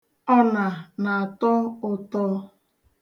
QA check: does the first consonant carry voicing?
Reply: yes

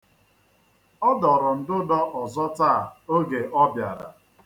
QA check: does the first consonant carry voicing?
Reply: yes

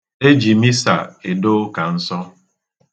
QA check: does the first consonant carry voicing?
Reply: yes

